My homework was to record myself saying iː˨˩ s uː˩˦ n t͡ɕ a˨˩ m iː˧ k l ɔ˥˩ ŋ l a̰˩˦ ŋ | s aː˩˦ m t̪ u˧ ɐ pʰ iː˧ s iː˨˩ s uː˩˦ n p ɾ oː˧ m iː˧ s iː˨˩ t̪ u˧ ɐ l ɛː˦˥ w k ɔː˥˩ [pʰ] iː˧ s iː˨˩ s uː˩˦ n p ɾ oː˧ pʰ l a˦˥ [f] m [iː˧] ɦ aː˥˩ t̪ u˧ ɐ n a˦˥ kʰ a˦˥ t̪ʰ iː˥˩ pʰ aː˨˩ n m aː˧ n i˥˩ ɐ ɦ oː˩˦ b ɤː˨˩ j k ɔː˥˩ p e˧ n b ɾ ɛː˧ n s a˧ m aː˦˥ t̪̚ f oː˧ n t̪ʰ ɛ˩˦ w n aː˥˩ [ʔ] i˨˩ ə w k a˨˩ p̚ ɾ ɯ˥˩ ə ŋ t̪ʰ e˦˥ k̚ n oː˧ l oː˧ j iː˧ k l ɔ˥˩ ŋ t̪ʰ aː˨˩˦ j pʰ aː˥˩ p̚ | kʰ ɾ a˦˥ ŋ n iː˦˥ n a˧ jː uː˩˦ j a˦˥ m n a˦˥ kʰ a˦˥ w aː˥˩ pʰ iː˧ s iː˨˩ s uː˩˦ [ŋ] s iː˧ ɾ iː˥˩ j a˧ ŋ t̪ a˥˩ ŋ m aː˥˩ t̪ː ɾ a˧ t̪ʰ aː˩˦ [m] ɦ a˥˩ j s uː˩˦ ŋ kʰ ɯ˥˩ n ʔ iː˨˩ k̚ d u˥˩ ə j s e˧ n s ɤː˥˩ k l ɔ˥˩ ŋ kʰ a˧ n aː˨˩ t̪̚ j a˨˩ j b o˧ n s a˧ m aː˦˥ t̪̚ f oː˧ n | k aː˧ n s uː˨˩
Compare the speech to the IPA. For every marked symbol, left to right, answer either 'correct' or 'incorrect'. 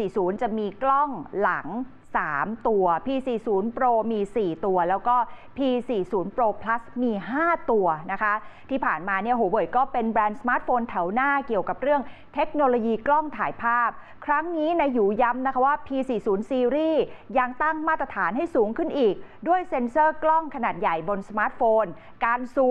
correct, incorrect, correct, incorrect, incorrect, incorrect

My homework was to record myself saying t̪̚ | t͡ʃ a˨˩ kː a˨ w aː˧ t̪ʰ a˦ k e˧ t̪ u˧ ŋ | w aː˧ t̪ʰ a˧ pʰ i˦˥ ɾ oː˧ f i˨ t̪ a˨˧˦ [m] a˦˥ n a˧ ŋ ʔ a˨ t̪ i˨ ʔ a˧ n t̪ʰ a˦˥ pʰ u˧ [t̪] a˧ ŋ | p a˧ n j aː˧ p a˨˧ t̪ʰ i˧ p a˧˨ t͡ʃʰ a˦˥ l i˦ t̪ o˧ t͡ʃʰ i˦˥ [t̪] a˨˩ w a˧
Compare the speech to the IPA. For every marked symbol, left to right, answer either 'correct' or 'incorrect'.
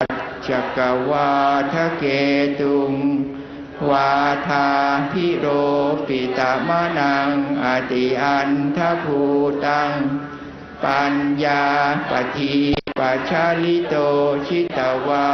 correct, correct, correct

